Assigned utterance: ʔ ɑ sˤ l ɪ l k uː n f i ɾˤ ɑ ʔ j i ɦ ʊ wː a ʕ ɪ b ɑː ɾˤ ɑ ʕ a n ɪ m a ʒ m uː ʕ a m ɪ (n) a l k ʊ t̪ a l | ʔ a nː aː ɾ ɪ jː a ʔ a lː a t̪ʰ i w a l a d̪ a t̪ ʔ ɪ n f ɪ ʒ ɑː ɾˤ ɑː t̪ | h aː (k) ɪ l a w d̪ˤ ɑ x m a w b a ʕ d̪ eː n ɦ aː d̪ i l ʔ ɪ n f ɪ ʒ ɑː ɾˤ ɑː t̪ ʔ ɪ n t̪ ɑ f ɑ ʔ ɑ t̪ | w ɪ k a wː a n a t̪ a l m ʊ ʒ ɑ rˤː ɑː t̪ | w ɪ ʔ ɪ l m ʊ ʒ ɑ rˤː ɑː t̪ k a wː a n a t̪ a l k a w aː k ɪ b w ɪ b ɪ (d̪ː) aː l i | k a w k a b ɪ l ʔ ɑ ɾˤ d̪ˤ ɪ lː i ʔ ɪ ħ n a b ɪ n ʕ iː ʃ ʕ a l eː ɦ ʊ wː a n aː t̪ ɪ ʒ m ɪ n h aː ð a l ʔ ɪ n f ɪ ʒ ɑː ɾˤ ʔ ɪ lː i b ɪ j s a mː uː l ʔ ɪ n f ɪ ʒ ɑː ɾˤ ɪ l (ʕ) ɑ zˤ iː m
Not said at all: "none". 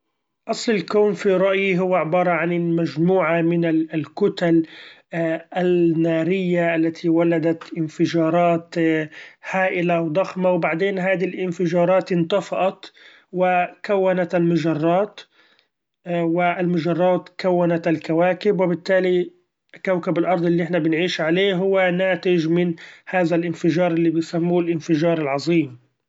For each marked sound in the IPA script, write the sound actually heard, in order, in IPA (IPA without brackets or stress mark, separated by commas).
n, ʔ, t̪ː, ʕ